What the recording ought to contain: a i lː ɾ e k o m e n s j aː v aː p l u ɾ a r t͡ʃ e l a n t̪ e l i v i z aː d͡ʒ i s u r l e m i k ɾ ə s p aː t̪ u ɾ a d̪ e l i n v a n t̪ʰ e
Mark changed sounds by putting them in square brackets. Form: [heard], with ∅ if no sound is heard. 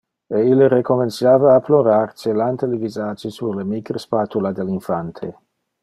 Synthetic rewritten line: [e] i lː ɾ e k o m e n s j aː v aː p l [o] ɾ a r t͡ʃ e l a n t̪ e l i v i z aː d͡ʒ i s u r l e m i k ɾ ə s p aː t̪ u [l] a d̪ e l i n [f] a n t̪ʰ e

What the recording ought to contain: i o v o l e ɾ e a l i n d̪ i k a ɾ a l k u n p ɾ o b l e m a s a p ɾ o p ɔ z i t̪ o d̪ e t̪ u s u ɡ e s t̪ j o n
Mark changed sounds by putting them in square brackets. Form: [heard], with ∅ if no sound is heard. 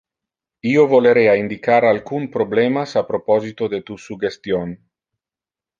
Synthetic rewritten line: i o v o l e ɾ e a [∅] i n d̪ i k a ɾ a l k u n p ɾ o b l e m a s a p ɾ o p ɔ z i t̪ o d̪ e t̪ u s u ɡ e s t̪ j o n

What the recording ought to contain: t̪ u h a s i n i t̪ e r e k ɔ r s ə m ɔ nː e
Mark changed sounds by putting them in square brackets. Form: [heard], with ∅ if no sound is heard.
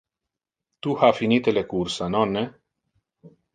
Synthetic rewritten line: t̪ u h a [f] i n i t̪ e [l] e k [u] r s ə [n] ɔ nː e

